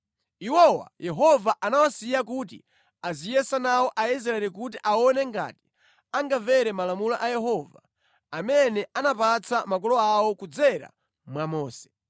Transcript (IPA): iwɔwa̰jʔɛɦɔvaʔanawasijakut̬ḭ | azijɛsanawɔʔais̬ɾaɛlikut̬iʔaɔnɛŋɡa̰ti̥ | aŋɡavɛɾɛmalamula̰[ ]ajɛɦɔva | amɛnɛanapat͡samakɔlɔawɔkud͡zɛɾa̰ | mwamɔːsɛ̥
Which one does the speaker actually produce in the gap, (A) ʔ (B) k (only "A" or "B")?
A